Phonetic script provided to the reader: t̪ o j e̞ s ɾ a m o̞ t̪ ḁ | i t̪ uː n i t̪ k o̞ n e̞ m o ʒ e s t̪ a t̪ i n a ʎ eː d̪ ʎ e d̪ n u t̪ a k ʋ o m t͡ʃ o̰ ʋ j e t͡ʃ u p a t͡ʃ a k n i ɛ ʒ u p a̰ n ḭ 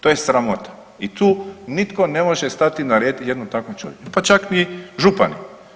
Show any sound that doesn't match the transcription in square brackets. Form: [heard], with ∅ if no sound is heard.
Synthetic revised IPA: t̪ o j e̞ s ɾ a m o̞ t̪ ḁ | i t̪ uː n i t̪ k o̞ n e̞ m o ʒ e s t̪ a t̪ i n a [ɾ] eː d̪ [j] e d̪ n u t̪ a k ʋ o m t͡ʃ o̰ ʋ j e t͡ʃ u p a t͡ʃ a k n i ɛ ʒ u p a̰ n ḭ